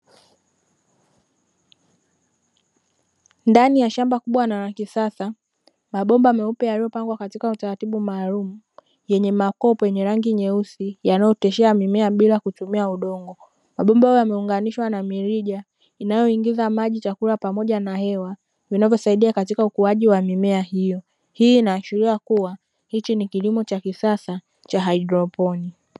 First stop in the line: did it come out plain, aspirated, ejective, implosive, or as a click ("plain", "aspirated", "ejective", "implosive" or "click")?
plain